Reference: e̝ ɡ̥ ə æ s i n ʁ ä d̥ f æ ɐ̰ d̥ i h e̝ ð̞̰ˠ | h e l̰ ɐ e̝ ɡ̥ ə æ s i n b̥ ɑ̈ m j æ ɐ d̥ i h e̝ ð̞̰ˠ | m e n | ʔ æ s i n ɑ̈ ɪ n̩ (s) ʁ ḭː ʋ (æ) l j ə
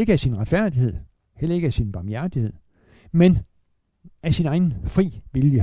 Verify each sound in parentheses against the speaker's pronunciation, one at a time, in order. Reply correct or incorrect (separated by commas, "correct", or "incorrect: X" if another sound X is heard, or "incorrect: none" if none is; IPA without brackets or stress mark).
incorrect: f, incorrect: i